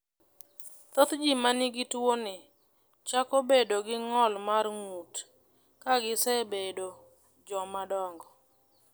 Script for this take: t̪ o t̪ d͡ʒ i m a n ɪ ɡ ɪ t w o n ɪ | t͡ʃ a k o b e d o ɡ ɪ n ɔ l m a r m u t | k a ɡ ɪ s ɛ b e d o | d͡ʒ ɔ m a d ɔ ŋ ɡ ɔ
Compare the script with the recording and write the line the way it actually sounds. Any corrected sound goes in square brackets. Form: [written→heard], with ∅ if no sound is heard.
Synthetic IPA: t̪ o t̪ d͡ʒ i m a n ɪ ɡ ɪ t w o n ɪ | t͡ʃ a k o b e d o ɡ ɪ [n→ŋ] ɔ l m a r [m→ŋ] u t | k a ɡ ɪ s ɛ b e d o | d͡ʒ ɔ m a d ɔ ŋ ɡ ɔ